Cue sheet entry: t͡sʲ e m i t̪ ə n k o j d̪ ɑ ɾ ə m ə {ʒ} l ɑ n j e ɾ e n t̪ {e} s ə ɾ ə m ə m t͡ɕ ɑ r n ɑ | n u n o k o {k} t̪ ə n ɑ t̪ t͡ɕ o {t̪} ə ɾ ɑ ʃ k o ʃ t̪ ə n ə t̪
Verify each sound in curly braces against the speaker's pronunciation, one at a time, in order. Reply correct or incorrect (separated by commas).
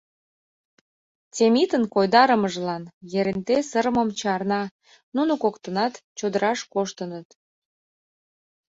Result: correct, correct, correct, incorrect